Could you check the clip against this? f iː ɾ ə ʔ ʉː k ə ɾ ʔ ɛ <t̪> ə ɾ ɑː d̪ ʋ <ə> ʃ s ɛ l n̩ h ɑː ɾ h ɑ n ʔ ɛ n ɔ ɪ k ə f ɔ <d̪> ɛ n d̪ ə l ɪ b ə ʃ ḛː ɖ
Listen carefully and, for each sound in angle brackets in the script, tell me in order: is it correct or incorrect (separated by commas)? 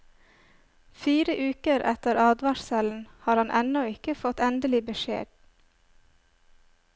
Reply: correct, incorrect, incorrect